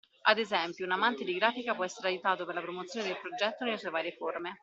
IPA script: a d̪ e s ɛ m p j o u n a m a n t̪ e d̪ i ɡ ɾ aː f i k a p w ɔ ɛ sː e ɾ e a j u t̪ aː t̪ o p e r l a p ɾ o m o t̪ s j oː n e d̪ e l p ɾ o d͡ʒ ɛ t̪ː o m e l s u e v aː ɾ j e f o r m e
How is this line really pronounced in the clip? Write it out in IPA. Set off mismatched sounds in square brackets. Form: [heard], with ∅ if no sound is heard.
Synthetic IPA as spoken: a d̪ e [z] ɛ m p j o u n a m a n t̪ e d̪ i ɡ ɾ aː f i k a p w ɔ ɛ sː e ɾ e a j u t̪ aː t̪ o p e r l a p ɾ o m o t̪ s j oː n e d̪ e l p ɾ o d͡ʒ ɛ t̪ː o [n] e l s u e v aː ɾ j e f o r m e